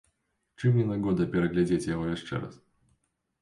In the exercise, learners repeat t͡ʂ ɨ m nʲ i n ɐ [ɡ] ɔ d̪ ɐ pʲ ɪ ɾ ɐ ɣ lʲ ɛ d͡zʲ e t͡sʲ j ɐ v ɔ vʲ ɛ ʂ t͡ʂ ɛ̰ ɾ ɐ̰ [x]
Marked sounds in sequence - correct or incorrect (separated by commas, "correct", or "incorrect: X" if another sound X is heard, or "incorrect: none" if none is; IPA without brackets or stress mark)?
correct, incorrect: s